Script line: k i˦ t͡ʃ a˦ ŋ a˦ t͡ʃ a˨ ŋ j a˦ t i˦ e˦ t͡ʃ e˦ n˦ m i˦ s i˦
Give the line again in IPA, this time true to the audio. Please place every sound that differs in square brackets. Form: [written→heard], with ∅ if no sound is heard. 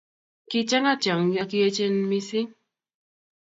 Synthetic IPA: k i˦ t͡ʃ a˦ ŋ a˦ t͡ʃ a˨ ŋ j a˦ [t→k] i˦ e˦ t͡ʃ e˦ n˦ m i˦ s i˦